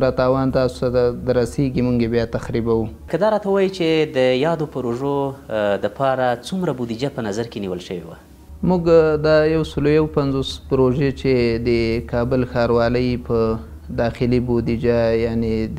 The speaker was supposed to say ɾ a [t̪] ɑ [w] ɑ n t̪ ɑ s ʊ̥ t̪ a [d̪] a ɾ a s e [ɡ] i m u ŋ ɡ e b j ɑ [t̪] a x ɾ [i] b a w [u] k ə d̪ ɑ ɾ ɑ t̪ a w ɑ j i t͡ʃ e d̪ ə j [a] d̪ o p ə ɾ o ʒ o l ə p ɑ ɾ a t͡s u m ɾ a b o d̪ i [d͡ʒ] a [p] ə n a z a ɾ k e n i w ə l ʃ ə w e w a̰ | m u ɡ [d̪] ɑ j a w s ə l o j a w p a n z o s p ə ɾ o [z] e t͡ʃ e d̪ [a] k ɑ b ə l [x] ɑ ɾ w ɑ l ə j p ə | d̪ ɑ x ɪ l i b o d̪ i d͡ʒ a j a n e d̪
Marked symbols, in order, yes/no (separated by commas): yes, yes, yes, yes, yes, yes, yes, no, yes, yes, yes, no, no, yes